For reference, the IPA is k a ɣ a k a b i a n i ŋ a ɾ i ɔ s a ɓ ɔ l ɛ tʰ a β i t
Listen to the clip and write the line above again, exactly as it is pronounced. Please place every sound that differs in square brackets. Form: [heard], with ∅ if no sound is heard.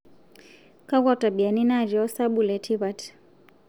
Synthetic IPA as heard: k a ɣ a [t] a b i a n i [n] a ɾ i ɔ s a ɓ [u] l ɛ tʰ [i] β [a] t